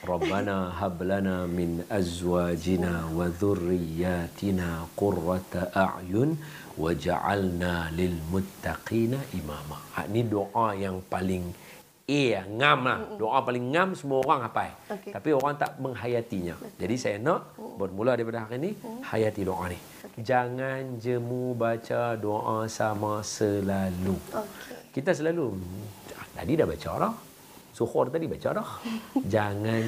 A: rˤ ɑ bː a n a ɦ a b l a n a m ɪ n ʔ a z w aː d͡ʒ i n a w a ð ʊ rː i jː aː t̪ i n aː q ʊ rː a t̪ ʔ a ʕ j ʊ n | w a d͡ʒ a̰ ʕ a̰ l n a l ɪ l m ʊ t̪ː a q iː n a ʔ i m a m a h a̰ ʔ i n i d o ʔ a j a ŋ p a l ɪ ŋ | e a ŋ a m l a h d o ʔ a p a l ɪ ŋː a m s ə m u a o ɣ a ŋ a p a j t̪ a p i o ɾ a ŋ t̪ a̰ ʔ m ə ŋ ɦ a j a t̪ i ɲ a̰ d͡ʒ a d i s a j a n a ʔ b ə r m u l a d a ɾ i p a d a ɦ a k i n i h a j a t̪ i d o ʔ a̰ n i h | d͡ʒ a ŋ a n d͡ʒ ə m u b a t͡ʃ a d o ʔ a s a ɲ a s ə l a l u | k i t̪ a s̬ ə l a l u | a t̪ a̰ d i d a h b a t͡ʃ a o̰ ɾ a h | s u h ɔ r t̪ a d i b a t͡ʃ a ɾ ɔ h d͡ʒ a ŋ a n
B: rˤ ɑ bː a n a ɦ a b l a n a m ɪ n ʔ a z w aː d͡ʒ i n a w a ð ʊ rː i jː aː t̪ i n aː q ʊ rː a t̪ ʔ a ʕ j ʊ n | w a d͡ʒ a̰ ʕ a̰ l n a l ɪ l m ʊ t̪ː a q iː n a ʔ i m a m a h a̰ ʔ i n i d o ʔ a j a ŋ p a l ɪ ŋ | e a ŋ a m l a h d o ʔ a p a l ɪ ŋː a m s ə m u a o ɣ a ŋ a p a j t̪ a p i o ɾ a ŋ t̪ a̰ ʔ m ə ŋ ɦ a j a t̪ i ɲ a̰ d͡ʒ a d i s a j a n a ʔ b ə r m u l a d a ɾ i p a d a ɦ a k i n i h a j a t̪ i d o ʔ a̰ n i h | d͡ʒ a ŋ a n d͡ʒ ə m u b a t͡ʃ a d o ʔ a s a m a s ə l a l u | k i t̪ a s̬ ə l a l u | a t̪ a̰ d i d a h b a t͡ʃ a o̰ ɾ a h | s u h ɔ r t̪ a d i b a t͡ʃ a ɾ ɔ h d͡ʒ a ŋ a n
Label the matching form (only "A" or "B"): B